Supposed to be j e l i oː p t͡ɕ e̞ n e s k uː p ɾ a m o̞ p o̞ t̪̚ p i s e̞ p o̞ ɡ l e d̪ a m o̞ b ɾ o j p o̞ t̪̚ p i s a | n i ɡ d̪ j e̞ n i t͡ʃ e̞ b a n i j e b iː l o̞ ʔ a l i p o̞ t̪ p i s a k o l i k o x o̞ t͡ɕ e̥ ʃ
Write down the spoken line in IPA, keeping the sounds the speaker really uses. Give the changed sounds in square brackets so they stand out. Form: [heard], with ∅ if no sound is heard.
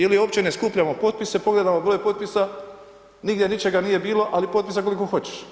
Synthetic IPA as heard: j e l i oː p t͡ɕ e̞ n e s k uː p [ʎ] a m o̞ p o̞ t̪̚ p i s e̞ p o̞ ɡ l e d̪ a m o̞ b ɾ o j p o̞ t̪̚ p i s a | n i ɡ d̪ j e̞ n i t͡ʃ e̞ [ɡ] a n i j e b iː l o̞ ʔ a l i p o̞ t̪ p i s a k o l i k o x o̞ t͡ɕ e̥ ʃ